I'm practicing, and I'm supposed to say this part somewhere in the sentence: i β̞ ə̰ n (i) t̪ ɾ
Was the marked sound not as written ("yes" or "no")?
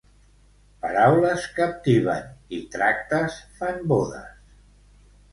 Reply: no